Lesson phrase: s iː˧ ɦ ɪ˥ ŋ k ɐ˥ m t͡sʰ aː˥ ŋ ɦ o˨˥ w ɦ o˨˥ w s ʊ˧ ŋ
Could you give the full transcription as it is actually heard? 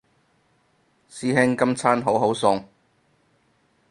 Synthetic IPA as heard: s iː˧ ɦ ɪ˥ ŋ k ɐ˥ m t͡sʰ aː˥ n ɦ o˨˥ w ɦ o˨˥ w s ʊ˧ ŋ